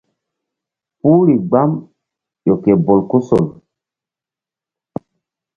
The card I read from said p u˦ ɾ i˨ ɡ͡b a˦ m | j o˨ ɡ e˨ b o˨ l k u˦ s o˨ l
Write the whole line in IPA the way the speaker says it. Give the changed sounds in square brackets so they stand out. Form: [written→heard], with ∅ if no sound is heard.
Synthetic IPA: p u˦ ɾ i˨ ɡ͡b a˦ m | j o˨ [ɡ→k] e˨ b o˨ l k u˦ s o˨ l